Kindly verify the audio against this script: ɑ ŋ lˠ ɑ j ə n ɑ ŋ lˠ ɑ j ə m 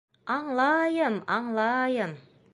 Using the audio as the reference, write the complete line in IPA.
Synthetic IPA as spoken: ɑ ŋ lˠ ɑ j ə m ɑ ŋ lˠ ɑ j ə m